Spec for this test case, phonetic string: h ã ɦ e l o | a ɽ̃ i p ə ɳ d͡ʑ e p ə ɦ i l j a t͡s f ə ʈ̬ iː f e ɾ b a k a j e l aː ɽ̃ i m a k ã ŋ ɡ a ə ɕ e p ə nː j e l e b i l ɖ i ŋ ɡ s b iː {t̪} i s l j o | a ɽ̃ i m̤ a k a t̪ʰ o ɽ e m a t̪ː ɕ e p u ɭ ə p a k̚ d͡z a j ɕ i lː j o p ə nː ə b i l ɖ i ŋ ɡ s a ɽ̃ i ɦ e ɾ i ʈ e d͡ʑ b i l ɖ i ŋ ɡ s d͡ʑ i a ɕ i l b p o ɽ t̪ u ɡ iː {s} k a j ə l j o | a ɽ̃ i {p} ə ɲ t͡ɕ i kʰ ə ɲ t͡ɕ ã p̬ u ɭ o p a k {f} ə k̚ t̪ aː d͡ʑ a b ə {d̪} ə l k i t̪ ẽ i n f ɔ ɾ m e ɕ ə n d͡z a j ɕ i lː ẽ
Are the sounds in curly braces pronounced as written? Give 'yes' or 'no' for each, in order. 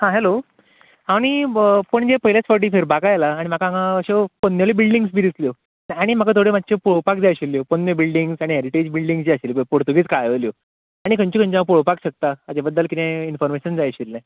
no, no, no, no, no

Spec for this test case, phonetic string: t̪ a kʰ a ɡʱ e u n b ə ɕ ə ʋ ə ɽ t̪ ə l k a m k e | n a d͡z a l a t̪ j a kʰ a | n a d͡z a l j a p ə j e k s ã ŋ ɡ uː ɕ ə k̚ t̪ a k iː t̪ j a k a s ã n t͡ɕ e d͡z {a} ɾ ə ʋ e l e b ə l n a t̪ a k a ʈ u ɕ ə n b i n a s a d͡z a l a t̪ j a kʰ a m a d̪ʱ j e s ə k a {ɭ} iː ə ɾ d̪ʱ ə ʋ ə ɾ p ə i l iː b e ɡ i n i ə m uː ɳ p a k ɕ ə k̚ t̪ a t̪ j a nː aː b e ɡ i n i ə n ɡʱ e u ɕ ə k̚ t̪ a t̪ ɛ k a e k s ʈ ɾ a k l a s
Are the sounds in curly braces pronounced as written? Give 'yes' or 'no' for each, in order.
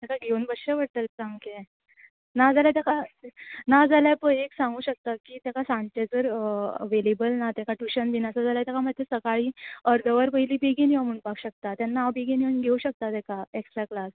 no, yes

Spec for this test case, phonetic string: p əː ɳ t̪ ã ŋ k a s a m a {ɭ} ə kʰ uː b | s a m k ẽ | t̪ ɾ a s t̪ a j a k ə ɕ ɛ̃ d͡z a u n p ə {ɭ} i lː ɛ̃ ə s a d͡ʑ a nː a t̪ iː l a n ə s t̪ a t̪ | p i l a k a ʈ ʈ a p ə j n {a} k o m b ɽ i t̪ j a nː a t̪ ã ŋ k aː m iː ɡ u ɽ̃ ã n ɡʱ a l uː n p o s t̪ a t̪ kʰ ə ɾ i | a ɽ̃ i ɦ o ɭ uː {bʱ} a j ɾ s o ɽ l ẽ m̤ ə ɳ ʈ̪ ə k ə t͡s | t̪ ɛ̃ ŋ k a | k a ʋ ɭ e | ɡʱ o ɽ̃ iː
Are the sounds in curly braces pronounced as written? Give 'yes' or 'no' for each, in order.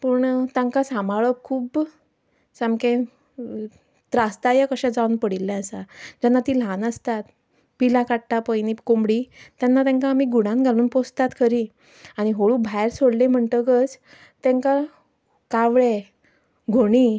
yes, no, no, yes

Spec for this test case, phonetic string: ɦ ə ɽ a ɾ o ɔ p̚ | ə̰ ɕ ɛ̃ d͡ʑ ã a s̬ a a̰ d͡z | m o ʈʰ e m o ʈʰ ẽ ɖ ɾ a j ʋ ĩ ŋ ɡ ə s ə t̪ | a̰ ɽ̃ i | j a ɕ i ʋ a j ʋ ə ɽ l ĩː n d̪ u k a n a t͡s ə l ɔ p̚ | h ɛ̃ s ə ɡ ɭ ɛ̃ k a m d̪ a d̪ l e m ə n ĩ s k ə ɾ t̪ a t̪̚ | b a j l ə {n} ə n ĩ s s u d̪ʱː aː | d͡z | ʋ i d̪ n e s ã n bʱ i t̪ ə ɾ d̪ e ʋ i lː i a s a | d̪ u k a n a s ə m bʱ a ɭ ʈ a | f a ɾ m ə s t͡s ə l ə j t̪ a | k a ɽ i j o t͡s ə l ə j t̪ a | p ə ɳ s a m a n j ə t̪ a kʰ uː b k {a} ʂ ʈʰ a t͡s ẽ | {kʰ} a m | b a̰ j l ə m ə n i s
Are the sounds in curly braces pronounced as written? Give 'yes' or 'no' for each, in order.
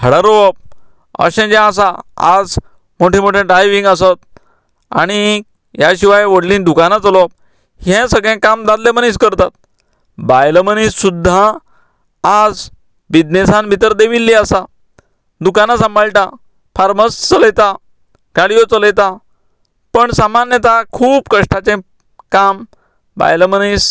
no, no, no

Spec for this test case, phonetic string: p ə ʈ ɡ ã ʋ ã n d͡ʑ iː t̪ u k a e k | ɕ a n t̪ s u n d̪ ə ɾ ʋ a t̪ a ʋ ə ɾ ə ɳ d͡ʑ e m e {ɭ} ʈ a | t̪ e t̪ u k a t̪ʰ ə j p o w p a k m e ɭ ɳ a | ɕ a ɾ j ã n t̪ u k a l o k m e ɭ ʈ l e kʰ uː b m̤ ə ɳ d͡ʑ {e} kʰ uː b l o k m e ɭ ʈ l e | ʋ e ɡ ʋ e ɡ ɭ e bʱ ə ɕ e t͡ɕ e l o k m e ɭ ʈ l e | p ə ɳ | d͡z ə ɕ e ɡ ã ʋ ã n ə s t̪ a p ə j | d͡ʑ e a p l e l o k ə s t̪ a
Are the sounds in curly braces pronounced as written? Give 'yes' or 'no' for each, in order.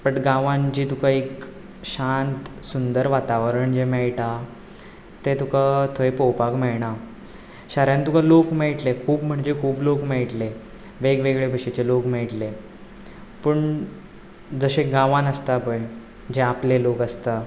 yes, yes

